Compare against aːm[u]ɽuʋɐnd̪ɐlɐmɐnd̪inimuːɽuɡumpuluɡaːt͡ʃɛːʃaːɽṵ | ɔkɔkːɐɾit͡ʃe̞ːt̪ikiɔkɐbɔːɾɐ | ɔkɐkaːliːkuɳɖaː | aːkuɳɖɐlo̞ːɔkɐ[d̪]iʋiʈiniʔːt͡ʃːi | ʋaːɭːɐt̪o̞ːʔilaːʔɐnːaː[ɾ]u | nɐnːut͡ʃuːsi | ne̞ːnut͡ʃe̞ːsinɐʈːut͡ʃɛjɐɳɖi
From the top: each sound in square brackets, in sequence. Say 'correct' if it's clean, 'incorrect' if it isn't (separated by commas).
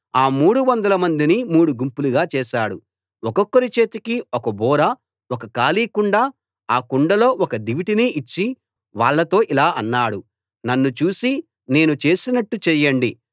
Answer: incorrect, correct, incorrect